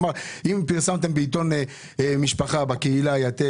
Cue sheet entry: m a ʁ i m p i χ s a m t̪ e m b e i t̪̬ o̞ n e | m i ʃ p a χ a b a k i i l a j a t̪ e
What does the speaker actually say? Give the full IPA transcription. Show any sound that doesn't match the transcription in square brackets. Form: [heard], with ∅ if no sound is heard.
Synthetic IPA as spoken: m a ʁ i m p i [ʁ] s a m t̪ e m b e i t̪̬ o̞ n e | m i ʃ p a χ a b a k [e] i l a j a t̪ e